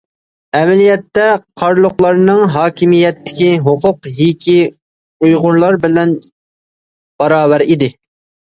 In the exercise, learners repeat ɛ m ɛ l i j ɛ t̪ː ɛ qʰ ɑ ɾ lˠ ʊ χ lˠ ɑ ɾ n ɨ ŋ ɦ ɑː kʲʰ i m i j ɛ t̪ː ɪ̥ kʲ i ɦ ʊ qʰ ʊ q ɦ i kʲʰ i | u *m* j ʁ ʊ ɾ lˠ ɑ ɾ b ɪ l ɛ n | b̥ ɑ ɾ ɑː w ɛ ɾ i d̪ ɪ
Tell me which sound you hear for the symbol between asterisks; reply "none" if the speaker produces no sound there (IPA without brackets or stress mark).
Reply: none